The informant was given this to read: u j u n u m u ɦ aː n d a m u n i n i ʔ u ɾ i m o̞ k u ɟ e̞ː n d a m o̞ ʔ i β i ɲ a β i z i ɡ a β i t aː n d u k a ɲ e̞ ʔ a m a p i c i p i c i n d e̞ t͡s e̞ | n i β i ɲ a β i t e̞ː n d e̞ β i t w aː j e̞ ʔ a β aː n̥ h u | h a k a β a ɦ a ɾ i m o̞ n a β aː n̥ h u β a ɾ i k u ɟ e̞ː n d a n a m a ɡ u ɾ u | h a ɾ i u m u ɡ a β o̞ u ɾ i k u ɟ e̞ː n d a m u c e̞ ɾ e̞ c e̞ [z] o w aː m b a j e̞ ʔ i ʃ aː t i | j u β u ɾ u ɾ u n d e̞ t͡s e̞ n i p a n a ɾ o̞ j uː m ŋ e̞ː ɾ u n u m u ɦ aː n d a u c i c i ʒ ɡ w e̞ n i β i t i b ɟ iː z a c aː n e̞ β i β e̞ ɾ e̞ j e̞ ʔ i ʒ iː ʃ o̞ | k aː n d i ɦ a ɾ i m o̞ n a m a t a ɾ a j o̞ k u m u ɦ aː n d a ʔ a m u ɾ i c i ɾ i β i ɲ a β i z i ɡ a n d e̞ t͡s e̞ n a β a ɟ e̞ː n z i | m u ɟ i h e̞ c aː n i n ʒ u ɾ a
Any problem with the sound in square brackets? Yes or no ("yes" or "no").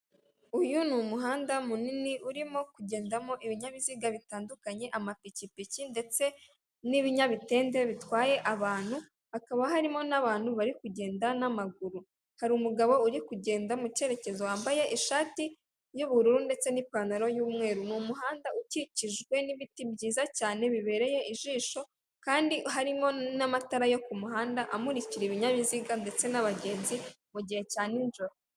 no